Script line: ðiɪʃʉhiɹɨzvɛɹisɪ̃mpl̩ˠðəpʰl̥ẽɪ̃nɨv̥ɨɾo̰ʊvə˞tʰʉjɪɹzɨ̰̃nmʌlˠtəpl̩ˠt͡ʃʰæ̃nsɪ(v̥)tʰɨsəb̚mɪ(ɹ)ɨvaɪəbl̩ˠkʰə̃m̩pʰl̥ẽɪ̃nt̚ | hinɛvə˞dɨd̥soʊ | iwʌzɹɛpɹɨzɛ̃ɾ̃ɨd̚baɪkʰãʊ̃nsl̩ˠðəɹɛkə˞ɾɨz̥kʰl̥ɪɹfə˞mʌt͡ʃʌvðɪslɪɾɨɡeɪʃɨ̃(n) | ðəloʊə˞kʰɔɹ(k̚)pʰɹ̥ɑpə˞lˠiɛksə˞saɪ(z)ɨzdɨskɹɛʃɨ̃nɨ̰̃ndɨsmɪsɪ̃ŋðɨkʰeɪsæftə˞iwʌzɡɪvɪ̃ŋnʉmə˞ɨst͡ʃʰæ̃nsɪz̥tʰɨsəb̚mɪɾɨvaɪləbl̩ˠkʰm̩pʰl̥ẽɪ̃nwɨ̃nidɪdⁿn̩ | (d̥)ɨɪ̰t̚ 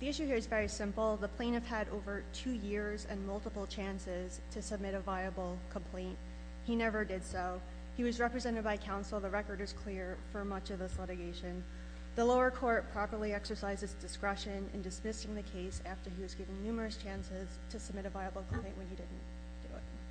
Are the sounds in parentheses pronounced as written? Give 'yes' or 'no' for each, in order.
no, no, yes, no, yes, yes

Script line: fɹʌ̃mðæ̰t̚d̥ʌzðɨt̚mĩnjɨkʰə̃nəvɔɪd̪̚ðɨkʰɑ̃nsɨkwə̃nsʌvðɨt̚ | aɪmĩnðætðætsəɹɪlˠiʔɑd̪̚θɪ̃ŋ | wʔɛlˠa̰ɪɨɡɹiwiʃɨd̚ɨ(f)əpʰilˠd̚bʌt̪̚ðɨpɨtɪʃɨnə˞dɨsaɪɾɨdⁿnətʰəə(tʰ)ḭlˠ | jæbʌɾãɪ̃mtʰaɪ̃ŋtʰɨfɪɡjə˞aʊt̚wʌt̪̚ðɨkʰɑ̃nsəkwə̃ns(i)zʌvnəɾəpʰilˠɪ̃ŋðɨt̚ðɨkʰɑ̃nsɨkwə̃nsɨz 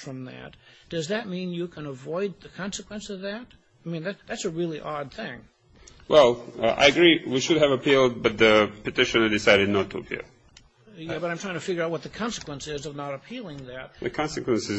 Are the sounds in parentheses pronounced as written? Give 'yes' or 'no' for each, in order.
no, no, no

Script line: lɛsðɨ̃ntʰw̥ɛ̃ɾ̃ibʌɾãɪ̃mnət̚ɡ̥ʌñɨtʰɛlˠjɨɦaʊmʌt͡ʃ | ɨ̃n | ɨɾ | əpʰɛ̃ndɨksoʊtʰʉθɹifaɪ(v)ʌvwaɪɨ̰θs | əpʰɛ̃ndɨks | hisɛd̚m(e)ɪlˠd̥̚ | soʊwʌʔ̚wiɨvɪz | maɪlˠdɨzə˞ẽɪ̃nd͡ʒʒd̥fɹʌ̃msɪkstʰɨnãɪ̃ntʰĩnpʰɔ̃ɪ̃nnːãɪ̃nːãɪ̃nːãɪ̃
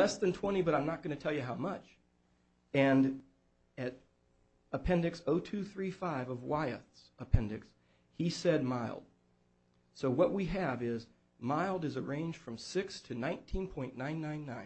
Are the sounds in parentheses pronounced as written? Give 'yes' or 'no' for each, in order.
yes, no

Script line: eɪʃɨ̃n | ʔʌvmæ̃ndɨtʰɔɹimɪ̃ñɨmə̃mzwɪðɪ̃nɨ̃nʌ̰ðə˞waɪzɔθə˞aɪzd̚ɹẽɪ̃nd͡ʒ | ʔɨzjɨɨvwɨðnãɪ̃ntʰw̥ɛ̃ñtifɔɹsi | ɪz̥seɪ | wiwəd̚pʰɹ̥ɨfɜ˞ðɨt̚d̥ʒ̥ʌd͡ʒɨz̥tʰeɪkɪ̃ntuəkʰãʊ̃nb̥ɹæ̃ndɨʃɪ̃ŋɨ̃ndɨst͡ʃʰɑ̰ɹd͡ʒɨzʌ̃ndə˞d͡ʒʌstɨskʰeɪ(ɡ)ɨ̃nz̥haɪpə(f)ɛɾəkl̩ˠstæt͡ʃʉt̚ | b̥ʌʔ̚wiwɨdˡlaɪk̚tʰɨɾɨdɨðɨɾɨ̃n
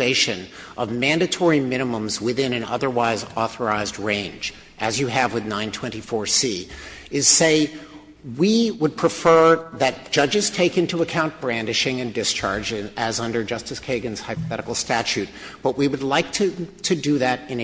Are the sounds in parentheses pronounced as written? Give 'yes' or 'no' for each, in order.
yes, no

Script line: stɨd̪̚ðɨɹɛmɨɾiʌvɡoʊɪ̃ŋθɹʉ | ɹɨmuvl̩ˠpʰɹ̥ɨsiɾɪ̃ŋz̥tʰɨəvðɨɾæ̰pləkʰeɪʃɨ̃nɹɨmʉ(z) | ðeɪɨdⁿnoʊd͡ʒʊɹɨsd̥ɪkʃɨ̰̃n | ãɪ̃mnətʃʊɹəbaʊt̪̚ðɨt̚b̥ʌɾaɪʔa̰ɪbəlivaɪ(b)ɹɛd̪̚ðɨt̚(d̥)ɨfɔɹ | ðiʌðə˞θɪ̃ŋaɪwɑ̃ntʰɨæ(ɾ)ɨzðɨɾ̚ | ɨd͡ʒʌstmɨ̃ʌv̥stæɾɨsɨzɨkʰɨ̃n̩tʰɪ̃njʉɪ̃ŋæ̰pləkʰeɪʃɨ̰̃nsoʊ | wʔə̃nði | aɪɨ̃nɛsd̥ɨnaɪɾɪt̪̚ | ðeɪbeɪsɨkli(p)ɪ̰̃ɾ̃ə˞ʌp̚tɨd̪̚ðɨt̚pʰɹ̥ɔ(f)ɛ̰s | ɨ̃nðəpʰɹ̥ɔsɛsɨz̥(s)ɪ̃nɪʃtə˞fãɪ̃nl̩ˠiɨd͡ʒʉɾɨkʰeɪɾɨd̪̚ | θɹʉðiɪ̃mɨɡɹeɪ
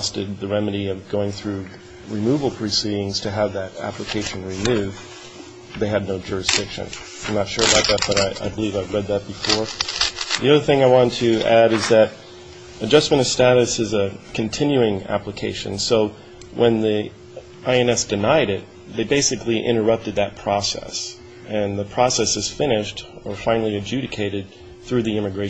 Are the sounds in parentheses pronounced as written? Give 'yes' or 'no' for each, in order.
no, no, no, yes, no, no, no

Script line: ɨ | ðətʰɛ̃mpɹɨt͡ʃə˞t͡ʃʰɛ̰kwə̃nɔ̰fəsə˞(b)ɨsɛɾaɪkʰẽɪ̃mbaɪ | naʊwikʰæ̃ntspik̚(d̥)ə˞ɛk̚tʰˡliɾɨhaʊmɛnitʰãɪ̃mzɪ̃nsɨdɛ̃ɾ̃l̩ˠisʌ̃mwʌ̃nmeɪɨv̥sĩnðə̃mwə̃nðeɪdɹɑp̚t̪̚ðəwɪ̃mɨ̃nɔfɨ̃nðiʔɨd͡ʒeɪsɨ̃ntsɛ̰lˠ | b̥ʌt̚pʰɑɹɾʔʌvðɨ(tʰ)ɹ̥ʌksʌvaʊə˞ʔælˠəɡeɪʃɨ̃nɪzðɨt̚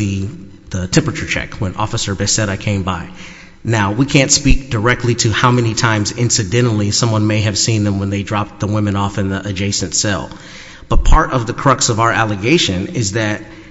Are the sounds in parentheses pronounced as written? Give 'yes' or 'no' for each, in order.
yes, yes, no

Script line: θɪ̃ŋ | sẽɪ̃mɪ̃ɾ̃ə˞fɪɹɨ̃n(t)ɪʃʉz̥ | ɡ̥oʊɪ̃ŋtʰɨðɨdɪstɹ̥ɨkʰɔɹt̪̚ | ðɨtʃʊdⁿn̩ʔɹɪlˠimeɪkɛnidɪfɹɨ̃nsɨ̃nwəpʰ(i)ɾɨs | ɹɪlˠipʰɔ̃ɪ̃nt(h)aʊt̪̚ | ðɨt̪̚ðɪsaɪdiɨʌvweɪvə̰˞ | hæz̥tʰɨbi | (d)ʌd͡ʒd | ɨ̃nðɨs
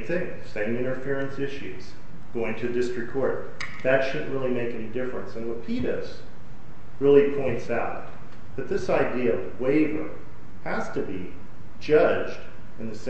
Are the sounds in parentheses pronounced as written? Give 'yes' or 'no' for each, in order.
no, yes, no, no

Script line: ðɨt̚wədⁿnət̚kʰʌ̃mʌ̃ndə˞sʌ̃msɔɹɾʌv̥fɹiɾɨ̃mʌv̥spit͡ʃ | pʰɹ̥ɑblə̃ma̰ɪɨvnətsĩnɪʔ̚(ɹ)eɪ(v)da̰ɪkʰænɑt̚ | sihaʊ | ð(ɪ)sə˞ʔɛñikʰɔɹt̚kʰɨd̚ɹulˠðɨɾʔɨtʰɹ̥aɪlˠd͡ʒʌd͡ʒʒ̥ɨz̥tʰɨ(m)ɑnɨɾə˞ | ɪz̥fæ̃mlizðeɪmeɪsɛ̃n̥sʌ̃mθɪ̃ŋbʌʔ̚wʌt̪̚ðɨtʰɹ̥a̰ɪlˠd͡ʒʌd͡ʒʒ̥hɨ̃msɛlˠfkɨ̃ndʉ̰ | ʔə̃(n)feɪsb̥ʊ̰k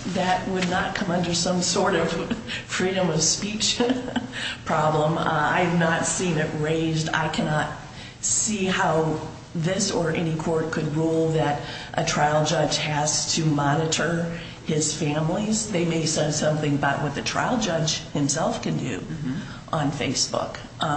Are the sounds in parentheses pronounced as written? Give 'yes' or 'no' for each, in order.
yes, no, yes, yes, yes

